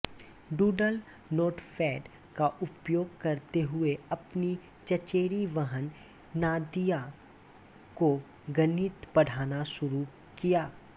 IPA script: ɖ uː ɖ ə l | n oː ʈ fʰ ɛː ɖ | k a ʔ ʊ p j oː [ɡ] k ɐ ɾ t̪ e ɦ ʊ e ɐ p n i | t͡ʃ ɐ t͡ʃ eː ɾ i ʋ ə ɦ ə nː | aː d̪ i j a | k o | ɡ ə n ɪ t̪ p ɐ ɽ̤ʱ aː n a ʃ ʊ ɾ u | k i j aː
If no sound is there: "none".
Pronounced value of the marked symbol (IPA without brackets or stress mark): ɡ